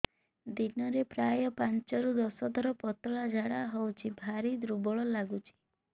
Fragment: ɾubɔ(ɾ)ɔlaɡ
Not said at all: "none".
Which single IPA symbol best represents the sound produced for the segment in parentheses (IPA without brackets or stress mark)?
ɭ